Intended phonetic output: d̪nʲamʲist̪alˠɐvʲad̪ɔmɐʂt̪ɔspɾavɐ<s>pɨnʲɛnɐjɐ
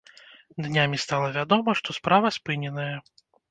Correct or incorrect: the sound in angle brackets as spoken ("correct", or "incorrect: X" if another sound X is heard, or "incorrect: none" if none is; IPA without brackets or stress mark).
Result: correct